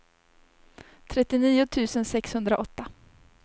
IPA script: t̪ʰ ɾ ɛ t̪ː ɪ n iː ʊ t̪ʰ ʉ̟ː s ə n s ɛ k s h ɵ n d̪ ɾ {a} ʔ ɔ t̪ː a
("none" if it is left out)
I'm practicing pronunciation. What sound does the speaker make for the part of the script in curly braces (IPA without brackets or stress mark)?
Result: a